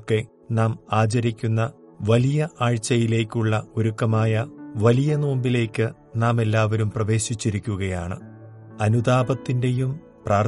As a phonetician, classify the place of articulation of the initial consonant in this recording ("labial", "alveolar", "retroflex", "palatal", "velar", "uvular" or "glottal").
velar